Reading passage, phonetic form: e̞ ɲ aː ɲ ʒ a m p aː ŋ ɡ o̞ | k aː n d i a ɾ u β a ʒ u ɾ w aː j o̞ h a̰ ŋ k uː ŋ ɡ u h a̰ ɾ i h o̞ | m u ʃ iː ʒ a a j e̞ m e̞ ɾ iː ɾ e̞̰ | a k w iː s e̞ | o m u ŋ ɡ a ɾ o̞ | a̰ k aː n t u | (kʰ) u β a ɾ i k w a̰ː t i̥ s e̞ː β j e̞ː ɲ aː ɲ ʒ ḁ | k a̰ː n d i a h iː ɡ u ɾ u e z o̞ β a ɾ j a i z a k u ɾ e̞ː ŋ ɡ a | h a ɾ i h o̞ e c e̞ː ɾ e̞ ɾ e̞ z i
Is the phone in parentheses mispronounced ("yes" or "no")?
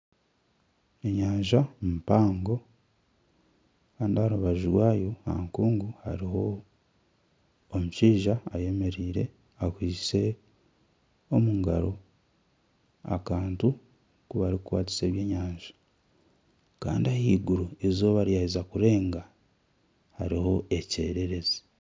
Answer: yes